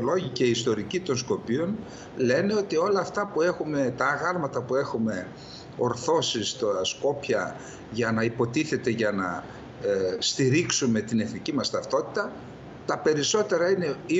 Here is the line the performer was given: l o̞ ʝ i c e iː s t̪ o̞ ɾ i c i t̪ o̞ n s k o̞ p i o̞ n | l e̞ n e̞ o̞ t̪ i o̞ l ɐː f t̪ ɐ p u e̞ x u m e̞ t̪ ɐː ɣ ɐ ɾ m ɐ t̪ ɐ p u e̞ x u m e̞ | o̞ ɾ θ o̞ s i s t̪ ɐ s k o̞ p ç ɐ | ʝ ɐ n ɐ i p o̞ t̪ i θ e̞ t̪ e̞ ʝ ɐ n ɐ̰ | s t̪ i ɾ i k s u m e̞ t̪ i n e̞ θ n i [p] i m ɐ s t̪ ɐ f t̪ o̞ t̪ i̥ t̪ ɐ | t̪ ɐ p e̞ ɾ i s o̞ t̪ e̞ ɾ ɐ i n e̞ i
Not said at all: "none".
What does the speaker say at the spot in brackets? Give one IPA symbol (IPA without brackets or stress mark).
c